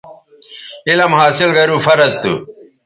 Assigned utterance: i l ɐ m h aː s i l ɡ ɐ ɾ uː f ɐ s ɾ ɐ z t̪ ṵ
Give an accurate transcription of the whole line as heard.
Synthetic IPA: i l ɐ m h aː s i l ɡ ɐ ɾ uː f ɐ ɾ ɐ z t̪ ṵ